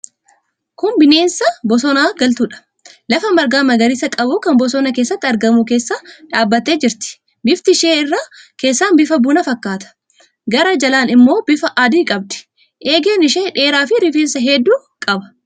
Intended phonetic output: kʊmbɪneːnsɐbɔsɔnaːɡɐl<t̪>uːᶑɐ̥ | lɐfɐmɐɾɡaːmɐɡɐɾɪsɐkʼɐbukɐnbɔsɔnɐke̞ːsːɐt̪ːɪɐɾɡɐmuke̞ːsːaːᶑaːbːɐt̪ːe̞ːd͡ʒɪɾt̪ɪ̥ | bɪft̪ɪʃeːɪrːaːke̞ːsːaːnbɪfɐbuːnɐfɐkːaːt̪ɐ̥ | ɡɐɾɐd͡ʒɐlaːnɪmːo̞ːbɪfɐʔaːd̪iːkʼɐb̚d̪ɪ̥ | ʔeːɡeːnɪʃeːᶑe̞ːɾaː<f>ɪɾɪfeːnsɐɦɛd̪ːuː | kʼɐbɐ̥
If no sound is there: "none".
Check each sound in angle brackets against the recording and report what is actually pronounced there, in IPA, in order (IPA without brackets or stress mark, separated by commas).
t̪, f